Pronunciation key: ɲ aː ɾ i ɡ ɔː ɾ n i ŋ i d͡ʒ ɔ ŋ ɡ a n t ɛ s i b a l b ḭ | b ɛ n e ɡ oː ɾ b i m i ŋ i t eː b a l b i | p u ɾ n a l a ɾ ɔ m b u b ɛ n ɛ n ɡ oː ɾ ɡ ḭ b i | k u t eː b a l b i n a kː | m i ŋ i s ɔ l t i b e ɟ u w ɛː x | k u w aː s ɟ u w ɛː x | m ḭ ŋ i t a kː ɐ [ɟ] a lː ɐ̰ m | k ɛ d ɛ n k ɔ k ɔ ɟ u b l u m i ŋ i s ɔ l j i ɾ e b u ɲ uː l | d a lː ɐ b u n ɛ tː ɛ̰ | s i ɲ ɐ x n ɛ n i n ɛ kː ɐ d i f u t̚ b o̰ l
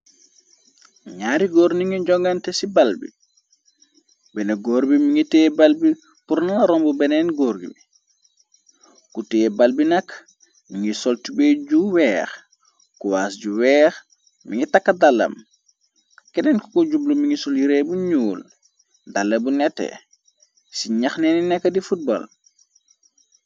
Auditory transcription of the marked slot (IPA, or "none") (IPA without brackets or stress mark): d